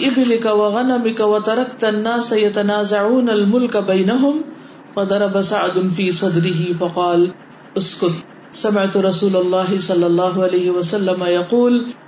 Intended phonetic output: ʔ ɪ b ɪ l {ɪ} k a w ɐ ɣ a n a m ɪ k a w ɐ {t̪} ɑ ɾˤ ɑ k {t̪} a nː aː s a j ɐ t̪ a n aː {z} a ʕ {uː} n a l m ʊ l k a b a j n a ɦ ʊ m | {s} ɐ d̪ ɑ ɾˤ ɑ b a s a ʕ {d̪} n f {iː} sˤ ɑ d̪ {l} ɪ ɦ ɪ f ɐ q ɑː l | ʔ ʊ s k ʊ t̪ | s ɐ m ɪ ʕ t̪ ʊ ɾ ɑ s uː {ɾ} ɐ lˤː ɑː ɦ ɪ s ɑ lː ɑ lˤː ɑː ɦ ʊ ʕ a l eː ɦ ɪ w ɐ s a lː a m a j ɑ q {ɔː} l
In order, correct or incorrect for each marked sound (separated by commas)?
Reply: correct, correct, correct, correct, correct, incorrect, correct, correct, incorrect, incorrect, incorrect